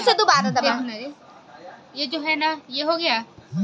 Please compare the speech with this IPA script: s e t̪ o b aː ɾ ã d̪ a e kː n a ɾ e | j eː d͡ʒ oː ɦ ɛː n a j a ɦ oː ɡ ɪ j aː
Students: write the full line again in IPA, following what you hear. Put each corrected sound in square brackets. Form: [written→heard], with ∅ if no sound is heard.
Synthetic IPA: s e [t̪→d̪] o b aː ɾ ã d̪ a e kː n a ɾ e | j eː d͡ʒ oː ɦ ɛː n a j [a→e] ɦ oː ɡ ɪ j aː